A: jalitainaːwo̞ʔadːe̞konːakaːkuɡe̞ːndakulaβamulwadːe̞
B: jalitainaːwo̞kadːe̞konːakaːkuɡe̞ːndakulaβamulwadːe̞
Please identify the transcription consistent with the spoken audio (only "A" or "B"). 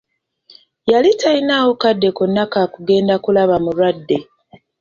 B